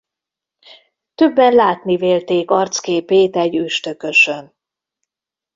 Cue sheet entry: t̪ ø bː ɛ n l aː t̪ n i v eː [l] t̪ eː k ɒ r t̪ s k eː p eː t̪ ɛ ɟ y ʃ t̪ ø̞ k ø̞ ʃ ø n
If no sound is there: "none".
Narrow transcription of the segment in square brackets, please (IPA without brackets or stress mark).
l